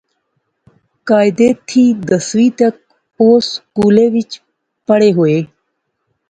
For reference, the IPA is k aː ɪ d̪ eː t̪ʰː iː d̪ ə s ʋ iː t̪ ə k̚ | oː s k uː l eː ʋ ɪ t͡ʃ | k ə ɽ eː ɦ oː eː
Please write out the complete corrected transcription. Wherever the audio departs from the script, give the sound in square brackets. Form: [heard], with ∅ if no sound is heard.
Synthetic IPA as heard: k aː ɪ d̪ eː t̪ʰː iː d̪ ə s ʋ iː t̪ ə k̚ | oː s k uː l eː ʋ ɪ t͡ʃ | [p] ə ɽ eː ɦ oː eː